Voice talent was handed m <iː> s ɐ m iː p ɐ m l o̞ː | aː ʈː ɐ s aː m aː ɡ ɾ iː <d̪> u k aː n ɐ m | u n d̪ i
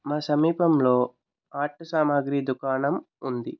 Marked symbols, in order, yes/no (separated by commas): no, yes